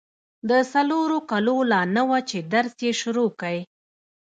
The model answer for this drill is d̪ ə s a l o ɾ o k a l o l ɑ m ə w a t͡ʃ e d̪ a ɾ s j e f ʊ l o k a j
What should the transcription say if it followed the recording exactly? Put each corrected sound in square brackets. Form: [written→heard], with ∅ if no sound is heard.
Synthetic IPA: d̪ ə s a l o ɾ o k a l o l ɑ [m→n] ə w a t͡ʃ e d̪ a ɾ s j e [f→ʃ] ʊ [l→ɾ] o k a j

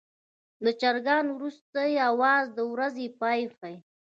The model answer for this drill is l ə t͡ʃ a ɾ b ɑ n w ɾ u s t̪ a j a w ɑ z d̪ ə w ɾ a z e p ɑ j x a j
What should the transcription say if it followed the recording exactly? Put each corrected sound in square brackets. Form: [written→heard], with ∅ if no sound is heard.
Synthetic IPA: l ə t͡ʃ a ɾ [b→ɡ] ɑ n w ɾ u s t̪ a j a w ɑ z d̪ ə w ɾ a z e p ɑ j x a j

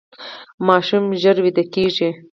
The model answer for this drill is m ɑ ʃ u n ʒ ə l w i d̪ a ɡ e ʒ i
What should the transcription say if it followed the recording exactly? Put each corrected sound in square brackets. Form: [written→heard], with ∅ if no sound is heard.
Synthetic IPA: m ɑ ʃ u [n→m] ʒ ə [l→ɾ] w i d̪ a [ɡ→k] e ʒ i

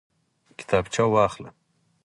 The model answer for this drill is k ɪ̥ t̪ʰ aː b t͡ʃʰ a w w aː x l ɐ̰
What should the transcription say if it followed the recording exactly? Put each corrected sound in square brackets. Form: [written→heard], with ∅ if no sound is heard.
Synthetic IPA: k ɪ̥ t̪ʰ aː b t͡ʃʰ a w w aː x l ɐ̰

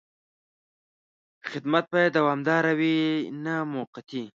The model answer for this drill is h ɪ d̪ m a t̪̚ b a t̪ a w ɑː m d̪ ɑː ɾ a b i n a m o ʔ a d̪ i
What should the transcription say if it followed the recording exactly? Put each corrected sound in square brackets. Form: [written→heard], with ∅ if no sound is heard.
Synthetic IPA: [h→x] ɪ d̪ m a t̪̚ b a [t̪→d̪] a w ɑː m d̪ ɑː ɾ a [b→w] i n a m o [ʔ→q] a [d̪→t̪] i

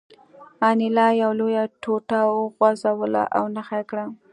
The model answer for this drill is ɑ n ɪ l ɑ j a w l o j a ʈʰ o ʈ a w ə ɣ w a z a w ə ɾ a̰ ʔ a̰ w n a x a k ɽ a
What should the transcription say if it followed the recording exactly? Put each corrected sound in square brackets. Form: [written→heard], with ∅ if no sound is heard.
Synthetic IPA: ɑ n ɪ l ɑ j a w l o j a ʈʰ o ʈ a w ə ɣ w a z a w ə [ɾ→l] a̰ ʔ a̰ w n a x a k ɽ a

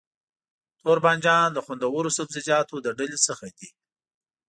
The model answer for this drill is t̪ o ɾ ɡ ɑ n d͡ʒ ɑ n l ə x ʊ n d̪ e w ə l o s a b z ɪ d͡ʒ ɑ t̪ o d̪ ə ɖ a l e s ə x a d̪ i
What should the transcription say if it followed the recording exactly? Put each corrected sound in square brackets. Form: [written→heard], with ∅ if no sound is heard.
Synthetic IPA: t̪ o ɾ [ɡ→b] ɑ n d͡ʒ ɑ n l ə x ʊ n d̪ [e→a] w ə [l→ɾ] o s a b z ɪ d͡ʒ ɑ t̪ o d̪ ə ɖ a l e s ə x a d̪ i

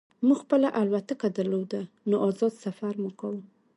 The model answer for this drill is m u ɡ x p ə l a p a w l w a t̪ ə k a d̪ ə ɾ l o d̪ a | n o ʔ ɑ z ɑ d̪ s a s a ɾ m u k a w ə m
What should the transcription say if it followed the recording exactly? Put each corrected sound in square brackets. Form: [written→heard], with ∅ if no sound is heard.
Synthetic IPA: m u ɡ x p ə l a [p→ʔ] a [w→∅] l w a t̪ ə k a d̪ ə ɾ l o d̪ a | n o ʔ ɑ z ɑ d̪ s a [s→f] a ɾ m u k a w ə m

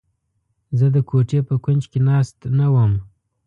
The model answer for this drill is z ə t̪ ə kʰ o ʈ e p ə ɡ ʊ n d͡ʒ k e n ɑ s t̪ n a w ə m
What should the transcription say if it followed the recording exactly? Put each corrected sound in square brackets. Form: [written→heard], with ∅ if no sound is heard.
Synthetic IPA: z ə [t̪→d̪] ə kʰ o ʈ e p ə [ɡ→k] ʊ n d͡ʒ k e n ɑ s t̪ n a w ə m

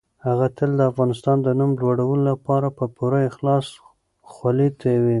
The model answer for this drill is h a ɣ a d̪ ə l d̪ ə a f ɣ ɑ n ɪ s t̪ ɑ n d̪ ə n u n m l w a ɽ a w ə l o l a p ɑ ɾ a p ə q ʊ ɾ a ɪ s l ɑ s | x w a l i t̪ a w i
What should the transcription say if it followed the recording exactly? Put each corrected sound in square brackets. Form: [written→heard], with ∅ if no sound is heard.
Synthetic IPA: h a ɣ a [d̪→t̪] ə l d̪ ə a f ɣ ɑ n ɪ s t̪ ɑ n d̪ ə n u [n→∅] m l w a ɽ a w ə l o l a p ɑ ɾ a p ə [q→p] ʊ ɾ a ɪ [s→x] l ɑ s | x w a l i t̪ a w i

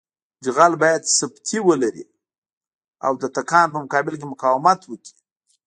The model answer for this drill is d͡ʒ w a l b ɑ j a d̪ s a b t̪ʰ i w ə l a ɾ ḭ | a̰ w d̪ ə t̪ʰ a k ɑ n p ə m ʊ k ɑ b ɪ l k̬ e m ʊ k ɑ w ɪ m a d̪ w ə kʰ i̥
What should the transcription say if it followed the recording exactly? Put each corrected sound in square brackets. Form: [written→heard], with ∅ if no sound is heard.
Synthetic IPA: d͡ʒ [w→ɣ] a l b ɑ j a d̪ s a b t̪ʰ i w ə l a ɾ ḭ | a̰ w d̪ ə [t̪ʰ→t̪] a k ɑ n p ə m ʊ k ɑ b ɪ l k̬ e m ʊ k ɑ w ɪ m a [d̪→t̪] w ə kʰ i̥

